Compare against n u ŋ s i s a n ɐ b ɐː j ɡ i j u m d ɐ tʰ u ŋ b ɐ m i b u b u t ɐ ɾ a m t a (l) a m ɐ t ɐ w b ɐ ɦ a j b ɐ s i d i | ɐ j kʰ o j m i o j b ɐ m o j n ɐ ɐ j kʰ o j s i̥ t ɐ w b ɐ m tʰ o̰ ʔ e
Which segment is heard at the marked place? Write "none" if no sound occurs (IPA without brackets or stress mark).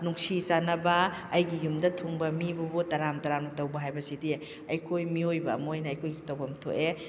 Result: ɾ